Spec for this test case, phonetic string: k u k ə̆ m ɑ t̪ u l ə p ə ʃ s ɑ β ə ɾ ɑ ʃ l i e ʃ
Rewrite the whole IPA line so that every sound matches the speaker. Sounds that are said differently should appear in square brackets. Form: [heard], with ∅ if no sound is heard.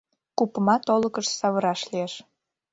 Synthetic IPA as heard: k u [p] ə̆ m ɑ t̪ [o] l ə [k] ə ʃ s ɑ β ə ɾ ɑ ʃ l i e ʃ